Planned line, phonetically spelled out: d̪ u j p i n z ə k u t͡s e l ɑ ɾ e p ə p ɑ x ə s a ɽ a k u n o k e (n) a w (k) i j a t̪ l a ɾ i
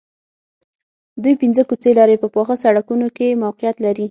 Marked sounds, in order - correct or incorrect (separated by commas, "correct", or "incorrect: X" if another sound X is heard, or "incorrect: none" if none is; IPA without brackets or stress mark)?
incorrect: m, incorrect: q